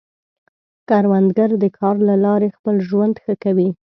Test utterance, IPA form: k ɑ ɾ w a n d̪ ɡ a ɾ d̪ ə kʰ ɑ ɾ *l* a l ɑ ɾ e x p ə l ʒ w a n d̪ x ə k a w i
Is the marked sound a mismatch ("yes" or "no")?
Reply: no